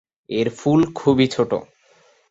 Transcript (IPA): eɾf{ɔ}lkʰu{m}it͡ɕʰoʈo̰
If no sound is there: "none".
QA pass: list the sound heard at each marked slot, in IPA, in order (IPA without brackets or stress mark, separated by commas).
u, b